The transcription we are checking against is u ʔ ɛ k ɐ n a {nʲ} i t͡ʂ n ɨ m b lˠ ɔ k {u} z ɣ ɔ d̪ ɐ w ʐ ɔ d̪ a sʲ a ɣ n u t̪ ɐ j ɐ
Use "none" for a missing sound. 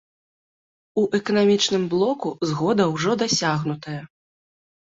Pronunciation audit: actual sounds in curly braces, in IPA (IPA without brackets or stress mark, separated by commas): mʲ, u